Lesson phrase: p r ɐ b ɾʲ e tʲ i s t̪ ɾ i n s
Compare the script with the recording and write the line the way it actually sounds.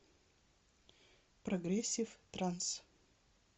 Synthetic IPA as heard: p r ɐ ɡ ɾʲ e sʲ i f t̪ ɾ a n s

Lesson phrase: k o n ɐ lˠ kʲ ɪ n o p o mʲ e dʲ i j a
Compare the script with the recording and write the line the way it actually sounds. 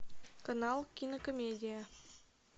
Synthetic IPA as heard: k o n ɑ lˠ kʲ i n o k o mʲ e dʲ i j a

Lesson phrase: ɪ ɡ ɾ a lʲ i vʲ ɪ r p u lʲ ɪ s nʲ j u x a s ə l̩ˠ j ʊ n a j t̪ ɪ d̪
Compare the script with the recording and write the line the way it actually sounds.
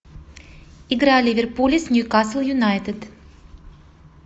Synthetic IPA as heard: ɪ ɡ ɾ a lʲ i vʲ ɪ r p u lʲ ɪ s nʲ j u k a s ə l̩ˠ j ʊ n a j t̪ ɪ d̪

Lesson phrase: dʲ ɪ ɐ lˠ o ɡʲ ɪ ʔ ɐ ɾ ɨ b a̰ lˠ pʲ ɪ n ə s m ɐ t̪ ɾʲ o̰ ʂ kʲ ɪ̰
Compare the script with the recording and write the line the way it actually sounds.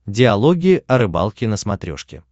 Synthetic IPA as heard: dʲ ɪ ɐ lˠ o ɡʲ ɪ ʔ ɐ ɾ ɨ b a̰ lˠ kʲ ɪ n ə s m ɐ t̪ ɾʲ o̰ ʂ kʲ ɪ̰

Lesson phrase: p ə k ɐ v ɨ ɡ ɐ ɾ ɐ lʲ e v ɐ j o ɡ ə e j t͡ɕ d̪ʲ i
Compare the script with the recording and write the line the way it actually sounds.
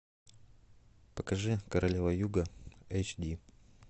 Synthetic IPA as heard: p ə k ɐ ʐ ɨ k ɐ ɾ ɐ lʲ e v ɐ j u ɡ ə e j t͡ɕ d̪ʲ i

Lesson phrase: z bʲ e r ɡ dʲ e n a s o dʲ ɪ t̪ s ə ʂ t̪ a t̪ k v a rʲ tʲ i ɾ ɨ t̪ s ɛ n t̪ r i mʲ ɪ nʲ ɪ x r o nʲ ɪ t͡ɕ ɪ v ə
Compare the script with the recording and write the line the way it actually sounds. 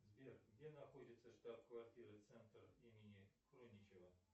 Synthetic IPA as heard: z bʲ e r ɡ dʲ e n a x o dʲ ɪ t̪ s ə ʂ t̪ a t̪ k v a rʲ tʲ i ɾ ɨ t̪ s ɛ n t̪ r i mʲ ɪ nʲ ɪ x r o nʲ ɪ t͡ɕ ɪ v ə

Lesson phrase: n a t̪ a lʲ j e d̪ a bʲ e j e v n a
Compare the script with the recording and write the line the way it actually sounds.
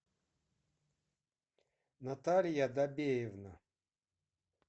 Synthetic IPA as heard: n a t̪ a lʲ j a d̪ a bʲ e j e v n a

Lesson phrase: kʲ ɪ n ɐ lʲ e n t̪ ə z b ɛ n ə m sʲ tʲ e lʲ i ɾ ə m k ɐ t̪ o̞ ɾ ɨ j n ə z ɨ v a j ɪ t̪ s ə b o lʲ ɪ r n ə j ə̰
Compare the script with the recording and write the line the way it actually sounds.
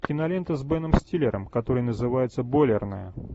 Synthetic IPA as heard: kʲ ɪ n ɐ lʲ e n t̪ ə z b ɛ n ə m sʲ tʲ i lʲ ɪ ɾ ə m k ɐ t̪ o̞ ɾ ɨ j n ə z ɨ v a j ɪ t̪ s ə b o lʲ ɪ r n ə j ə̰

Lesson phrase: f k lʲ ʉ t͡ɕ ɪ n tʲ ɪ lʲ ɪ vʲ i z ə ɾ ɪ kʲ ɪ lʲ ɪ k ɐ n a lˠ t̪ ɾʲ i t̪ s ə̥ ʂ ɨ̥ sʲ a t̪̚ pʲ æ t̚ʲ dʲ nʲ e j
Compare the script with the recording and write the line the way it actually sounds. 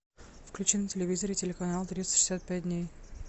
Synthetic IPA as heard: f k lʲ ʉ t͡ɕ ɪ n tʲ ɪ lʲ ɪ vʲ i z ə ɾ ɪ tʲ ɪ lʲ ɪ k ɐ n a lˠ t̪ ɾʲ i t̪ s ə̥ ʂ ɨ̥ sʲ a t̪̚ pʲ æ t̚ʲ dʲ nʲ e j

